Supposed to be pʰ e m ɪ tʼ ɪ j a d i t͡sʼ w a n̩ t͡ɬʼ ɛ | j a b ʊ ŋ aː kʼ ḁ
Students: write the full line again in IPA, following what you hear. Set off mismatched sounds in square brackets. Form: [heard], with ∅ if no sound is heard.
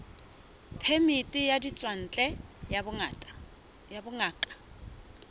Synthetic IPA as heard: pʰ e m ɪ tʼ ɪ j a d i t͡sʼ w a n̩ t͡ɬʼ ɛ | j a b ʊ ŋ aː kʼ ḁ